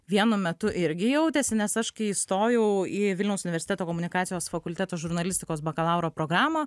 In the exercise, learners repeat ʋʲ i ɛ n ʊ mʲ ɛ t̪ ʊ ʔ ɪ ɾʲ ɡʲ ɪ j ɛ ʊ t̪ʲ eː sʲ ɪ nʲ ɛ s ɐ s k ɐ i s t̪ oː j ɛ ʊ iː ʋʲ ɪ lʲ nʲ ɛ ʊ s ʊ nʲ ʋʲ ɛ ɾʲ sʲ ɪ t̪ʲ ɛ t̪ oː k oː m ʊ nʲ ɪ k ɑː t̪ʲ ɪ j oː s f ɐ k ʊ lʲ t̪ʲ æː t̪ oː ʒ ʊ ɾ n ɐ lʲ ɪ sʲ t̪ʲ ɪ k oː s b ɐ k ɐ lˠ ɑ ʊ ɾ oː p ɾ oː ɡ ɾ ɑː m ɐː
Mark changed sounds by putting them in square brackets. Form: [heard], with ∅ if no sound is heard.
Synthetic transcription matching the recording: ʋʲ i ɛ n ʊ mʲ ɛ t̪ ʊ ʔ ɪ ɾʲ ɡʲ ɪ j ɛ ʊ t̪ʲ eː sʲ ɪ nʲ ɛ s ɐ [ʃ] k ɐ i s t̪ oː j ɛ ʊ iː ʋʲ ɪ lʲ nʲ ɛ ʊ s ʊ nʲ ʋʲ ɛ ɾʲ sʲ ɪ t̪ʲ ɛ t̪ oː k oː m ʊ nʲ ɪ k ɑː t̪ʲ ɪ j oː s f ɐ k ʊ lʲ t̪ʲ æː t̪ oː ʒ ʊ ɾ n ɐ lʲ ɪ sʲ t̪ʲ ɪ k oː s b ɐ k ɐ lˠ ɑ ʊ ɾ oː p ɾ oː ɡ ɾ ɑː m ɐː